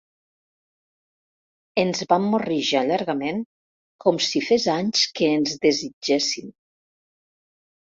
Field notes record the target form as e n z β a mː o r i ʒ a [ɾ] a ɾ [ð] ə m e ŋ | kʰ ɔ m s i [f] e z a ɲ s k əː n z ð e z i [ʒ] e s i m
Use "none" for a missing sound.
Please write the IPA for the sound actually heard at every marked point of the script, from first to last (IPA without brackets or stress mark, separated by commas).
ʎ, ɣ, f, d͡ʒ